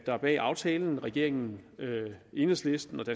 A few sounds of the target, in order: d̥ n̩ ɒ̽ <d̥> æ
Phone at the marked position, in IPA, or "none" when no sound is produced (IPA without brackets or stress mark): d̥